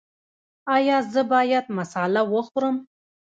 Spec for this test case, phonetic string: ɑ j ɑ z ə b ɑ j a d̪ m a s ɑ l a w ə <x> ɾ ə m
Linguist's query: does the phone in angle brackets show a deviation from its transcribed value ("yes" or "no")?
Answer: no